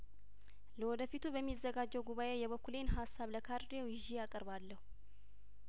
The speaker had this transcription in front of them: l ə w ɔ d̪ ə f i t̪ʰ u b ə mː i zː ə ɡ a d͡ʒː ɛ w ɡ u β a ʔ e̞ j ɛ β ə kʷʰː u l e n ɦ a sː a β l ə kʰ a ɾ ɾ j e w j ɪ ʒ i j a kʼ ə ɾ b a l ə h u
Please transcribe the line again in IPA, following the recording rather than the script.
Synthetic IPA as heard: l ə w ɔ d̪ ə f i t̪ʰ u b ə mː i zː ə ɡ a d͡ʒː ɛ w ɡ u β a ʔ e̞ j ɛ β ə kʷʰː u l e n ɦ a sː a β l ə kʰ a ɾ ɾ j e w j ɪ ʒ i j a kʼ ə ɾ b a lː ə h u